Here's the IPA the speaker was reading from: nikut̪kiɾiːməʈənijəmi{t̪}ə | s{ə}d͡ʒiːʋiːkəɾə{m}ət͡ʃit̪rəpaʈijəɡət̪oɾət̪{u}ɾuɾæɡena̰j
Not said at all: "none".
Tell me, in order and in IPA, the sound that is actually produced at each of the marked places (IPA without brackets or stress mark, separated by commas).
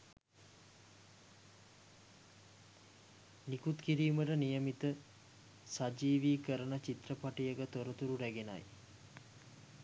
t̪, a, n, u